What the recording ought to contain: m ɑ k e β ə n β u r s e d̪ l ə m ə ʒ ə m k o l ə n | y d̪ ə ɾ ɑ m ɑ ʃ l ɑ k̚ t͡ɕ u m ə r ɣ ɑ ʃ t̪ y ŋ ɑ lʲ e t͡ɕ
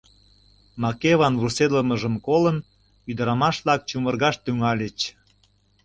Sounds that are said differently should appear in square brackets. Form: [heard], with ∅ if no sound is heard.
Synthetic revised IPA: m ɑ k e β [ɑ] n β u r s e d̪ l ə m ə ʒ ə m k o l ə n | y d̪ ə ɾ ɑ m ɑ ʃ l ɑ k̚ t͡ɕ u m ə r ɣ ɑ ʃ t̪ y ŋ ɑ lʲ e t͡ɕ